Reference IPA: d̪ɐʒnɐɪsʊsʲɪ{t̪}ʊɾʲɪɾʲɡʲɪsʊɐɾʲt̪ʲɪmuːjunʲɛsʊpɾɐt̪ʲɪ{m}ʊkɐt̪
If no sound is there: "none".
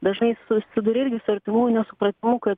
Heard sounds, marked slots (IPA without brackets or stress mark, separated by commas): d̪, m